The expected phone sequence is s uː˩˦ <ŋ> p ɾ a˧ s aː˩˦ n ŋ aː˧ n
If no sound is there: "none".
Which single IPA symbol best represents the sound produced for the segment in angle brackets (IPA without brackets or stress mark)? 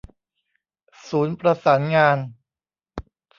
n